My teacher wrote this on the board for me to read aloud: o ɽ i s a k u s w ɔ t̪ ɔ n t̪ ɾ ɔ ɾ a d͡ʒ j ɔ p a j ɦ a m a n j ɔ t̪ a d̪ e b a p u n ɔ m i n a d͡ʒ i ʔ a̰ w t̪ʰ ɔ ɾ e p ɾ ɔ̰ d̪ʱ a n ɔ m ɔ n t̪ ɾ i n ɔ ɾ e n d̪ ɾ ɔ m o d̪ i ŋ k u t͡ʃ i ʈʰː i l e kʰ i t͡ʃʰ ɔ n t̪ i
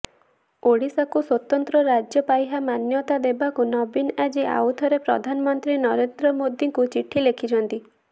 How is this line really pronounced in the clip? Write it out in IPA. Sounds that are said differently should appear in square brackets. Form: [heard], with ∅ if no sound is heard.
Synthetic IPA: o ɽ i s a k u s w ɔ t̪ ɔ n t̪ ɾ ɔ ɾ a d͡ʒ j ɔ p a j ɦ a m a n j ɔ t̪ a d̪ e b a [k] u n ɔ [b] i n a d͡ʒ i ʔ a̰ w t̪ʰ ɔ ɾ e p ɾ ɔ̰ d̪ʱ a n ɔ m ɔ n t̪ ɾ i n ɔ ɾ e n d̪ ɾ ɔ m o d̪ i ŋ k u t͡ʃ i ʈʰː i l e kʰ i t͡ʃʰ ɔ n t̪ i